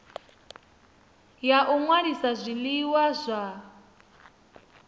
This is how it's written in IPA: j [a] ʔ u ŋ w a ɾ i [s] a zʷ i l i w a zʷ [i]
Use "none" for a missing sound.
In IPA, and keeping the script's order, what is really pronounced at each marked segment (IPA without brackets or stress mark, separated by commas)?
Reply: a, s, a